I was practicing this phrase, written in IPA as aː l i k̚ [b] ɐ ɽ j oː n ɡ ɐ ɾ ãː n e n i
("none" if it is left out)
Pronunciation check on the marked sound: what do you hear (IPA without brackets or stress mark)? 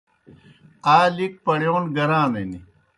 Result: p